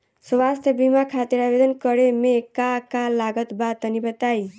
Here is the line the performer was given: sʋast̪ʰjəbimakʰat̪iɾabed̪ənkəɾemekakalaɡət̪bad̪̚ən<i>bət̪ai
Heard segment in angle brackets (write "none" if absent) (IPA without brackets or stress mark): i